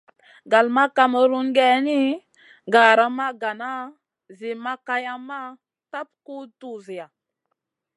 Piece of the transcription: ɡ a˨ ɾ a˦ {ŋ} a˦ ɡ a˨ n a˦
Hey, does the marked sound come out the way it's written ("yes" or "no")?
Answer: no